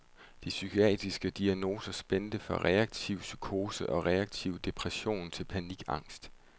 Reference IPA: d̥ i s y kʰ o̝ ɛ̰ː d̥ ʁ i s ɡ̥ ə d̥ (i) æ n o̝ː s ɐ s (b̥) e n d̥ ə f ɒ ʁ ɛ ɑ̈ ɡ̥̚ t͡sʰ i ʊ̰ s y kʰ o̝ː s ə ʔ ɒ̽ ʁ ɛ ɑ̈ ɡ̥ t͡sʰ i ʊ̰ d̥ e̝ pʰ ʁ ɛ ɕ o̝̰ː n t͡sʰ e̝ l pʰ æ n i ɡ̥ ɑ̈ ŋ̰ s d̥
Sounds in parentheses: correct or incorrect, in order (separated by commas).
correct, correct